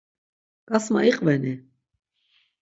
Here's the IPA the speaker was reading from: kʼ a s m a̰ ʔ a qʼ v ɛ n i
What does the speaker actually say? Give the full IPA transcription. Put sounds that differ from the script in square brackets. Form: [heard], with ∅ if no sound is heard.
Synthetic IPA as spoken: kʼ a s m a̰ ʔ [i] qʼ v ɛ n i